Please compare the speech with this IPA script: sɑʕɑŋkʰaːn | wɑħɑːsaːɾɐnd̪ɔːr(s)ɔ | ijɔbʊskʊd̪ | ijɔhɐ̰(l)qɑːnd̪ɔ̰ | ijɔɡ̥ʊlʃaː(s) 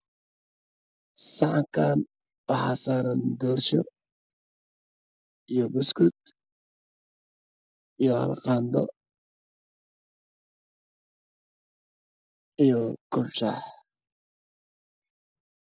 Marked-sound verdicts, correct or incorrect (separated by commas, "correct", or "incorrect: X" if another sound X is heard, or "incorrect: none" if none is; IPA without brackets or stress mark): incorrect: ʃ, correct, incorrect: ħ